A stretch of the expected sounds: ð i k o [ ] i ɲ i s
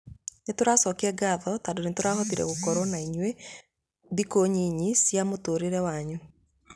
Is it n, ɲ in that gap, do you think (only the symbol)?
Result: ɲ